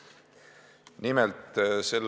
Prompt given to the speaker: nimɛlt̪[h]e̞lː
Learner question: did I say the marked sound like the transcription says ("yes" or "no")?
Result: no